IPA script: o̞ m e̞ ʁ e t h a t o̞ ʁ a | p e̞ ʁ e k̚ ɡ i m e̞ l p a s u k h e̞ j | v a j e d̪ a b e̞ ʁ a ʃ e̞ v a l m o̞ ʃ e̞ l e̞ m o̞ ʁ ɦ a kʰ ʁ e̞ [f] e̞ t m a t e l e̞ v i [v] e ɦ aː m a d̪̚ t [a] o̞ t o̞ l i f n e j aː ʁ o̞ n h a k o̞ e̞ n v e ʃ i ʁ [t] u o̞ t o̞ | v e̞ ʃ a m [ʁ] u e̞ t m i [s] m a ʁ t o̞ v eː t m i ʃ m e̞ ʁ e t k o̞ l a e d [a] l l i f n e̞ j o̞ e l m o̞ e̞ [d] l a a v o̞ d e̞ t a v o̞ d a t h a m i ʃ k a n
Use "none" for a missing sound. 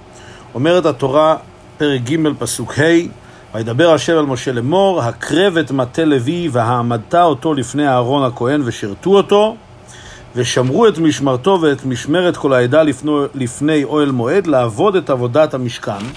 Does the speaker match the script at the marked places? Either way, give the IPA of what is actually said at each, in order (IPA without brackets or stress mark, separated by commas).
v, v, a, t, ʁ, ʃ, a, d